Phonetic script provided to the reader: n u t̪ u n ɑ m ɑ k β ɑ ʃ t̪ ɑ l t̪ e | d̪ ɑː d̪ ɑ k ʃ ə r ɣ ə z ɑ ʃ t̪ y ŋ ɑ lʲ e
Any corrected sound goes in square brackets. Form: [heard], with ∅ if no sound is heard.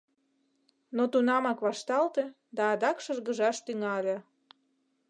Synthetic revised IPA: n [o] t̪ u n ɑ m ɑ k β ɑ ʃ t̪ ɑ l t̪ e | d̪ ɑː d̪ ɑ k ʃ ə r ɣ ə [ʒ] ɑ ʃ t̪ y ŋ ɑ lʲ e